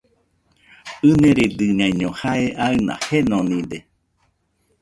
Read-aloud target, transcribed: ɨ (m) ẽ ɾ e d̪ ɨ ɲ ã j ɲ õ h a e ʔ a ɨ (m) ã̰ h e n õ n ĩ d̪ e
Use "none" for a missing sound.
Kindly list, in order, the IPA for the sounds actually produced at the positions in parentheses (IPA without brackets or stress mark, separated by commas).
n, n